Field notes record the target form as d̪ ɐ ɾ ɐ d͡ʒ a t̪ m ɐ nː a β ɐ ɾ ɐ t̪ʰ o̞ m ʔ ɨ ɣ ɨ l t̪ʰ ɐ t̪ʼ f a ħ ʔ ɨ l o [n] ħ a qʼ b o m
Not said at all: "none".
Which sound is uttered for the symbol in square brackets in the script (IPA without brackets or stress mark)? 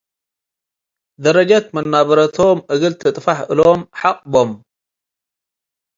m